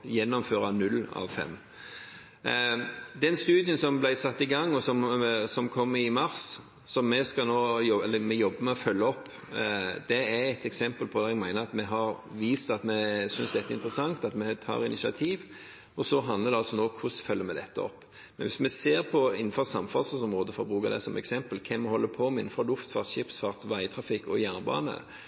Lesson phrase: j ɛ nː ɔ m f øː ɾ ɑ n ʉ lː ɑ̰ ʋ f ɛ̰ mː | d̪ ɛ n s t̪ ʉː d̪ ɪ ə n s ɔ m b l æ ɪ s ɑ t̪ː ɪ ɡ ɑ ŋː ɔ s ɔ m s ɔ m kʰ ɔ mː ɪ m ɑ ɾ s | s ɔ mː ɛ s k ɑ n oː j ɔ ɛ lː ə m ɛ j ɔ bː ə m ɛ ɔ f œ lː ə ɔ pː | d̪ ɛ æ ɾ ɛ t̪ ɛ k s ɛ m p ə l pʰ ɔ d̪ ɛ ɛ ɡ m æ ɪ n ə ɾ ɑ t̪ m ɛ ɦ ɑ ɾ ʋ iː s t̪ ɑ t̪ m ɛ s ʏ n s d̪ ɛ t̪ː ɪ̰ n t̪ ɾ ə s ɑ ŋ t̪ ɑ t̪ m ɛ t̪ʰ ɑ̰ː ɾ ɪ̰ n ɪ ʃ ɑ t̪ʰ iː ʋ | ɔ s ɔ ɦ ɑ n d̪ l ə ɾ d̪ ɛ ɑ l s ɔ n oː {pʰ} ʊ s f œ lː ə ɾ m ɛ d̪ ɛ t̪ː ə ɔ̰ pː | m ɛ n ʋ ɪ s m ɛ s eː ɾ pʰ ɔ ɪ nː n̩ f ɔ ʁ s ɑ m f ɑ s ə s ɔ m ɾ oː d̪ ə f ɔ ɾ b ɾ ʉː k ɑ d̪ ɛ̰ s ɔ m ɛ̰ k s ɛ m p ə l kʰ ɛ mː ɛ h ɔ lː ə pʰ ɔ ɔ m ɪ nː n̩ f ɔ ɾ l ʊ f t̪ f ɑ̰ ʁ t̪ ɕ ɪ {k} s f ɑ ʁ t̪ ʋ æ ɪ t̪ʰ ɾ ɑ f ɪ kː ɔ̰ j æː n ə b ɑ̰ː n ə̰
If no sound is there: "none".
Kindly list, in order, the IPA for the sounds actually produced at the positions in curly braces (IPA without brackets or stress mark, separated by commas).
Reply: kʰ, p